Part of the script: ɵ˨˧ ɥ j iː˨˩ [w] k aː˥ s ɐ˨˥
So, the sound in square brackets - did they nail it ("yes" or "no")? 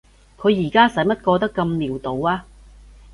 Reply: no